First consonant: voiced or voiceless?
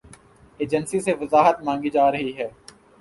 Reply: voiced